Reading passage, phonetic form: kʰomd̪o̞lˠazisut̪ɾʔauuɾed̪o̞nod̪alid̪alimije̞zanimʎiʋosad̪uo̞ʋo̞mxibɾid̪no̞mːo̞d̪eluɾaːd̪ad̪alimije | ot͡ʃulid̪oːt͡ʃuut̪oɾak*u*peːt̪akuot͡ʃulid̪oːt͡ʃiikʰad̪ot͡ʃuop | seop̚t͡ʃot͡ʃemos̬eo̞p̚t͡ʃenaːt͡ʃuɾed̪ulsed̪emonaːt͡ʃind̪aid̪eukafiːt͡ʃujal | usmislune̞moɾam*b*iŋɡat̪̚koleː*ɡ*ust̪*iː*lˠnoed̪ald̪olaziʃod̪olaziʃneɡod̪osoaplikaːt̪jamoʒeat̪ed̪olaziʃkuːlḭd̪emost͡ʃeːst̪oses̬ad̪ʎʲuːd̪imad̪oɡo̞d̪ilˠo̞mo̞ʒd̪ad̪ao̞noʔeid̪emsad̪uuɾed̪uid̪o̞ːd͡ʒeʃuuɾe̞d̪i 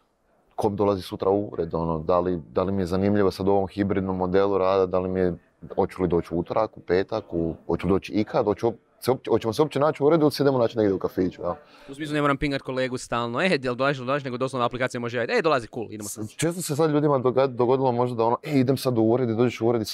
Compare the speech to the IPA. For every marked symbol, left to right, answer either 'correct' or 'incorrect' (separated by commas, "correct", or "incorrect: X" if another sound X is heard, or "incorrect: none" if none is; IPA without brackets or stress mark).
correct, incorrect: p, correct, incorrect: aː